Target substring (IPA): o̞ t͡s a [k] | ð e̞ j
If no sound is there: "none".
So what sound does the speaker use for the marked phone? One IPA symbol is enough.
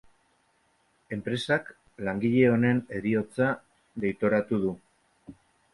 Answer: none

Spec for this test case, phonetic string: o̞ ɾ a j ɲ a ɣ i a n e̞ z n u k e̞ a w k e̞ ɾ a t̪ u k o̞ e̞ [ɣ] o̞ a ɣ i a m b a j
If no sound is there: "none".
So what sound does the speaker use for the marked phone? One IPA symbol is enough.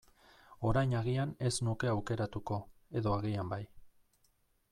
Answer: ð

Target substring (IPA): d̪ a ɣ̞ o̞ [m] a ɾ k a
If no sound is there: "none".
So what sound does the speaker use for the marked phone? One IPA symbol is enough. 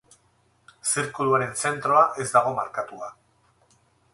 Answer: m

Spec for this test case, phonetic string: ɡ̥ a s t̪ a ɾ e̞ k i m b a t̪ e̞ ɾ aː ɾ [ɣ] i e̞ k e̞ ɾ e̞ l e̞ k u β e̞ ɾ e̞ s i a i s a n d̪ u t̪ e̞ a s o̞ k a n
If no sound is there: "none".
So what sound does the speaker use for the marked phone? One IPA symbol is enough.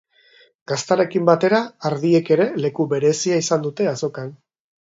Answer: ð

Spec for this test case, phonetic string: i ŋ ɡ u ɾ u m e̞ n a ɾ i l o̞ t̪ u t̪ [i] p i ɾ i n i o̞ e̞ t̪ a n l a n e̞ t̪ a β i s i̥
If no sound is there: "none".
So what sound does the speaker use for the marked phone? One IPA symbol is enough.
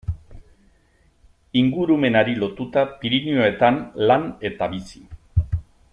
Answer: a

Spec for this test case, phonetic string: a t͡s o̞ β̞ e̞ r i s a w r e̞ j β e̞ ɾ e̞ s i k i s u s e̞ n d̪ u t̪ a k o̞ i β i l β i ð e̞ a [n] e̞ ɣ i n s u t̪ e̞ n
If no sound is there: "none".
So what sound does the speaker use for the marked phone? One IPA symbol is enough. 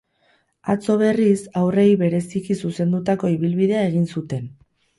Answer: none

